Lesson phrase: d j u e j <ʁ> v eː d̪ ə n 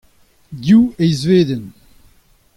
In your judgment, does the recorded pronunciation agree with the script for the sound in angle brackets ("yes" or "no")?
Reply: no